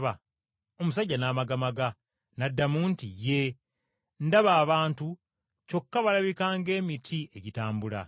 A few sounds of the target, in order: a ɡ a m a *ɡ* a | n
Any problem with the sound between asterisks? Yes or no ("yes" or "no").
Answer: no